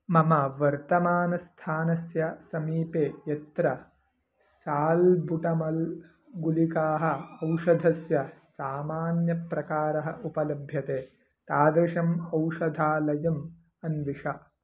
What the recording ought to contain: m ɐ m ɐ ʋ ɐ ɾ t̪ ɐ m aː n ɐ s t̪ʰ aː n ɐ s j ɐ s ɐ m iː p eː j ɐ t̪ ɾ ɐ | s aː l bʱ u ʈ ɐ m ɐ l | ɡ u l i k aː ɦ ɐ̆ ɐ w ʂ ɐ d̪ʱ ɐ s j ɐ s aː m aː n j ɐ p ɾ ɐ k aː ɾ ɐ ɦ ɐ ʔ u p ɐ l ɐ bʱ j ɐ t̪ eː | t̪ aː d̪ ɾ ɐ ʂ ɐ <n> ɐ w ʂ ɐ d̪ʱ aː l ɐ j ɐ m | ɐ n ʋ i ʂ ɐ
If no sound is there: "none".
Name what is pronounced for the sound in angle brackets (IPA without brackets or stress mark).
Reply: m